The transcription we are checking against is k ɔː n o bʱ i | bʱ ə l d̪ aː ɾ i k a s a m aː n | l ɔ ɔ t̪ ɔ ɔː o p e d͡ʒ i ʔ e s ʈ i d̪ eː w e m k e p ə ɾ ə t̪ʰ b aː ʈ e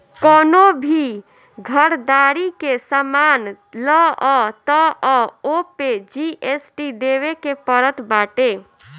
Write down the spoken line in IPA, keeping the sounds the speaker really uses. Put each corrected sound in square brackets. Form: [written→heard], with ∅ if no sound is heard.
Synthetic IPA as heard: k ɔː n o bʱ i | [bʱ→ɡʱ] ə [l→ɾ] d̪ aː ɾ i k [a→e] s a m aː n | l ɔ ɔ t̪ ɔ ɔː o p e d͡ʒ i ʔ e s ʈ i d̪ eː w e [m→∅] k e p ə ɾ ə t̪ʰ b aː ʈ e